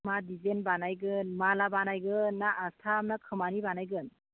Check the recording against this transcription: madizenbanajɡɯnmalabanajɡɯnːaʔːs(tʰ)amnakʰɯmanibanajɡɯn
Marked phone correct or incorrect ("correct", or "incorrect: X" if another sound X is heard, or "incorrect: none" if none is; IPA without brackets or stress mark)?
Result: correct